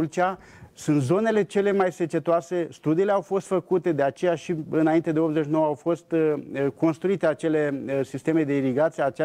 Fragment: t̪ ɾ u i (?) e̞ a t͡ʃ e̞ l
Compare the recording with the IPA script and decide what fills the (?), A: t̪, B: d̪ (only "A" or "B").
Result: A